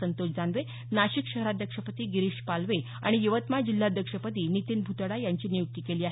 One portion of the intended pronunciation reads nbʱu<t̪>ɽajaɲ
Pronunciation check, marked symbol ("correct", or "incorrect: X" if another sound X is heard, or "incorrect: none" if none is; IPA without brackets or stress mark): correct